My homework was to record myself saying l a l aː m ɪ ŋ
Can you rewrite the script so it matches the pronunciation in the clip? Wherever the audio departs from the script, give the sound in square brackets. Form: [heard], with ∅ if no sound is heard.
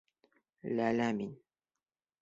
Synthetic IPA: l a l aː m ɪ [n]